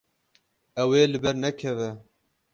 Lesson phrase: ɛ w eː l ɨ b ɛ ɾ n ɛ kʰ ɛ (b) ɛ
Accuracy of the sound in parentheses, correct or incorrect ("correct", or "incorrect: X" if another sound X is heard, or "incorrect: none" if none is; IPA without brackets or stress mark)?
incorrect: v